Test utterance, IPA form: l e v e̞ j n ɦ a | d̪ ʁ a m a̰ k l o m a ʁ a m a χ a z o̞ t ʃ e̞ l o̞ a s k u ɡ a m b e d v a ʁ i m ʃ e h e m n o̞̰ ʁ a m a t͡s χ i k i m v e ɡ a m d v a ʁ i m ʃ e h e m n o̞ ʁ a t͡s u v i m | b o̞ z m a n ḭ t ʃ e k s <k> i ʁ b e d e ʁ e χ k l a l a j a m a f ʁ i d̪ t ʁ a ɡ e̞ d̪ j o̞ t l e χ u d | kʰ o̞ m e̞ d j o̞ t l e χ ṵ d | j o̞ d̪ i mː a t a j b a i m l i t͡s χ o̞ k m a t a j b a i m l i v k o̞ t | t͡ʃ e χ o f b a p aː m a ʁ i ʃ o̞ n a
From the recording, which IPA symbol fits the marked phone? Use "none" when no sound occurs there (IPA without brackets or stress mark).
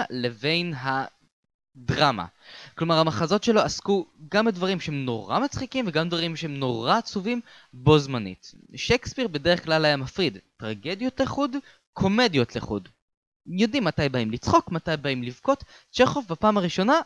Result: p